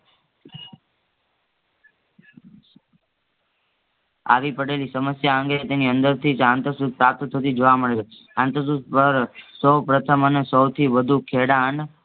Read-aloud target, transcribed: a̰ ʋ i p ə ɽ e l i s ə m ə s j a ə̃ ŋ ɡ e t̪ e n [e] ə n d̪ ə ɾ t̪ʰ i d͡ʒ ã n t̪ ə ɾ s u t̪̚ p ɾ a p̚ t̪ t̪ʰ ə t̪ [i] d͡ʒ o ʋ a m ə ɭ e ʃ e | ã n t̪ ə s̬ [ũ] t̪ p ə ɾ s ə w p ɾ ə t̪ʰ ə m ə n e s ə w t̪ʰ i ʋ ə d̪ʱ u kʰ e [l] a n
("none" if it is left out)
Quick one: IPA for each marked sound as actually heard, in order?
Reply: i, i, u, ɽ

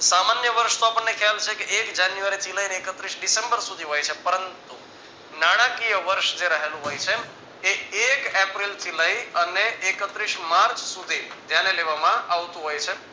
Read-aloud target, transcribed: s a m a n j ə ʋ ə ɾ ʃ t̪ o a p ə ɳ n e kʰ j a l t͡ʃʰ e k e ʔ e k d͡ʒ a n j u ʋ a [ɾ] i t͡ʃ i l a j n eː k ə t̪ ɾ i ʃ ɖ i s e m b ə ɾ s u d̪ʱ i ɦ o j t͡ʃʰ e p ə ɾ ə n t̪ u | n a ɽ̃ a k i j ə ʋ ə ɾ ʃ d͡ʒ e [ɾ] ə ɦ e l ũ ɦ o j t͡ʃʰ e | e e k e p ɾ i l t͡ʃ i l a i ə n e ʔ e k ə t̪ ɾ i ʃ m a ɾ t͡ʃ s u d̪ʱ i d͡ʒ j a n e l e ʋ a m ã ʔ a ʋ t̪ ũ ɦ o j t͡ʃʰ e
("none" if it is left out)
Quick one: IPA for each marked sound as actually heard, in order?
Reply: ɾ, ɾ

